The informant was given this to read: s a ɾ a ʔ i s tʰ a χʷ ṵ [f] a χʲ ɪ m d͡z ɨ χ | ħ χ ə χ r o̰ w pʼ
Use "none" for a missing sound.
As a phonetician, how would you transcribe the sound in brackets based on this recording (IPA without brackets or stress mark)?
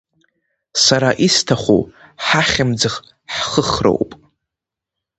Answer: ħ